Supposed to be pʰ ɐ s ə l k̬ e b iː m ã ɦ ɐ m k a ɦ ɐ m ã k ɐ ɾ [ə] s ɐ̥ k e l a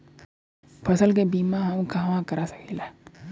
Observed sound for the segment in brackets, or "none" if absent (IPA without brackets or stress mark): a